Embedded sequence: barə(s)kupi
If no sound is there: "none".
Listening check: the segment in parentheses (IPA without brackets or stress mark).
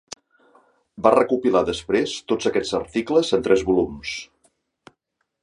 none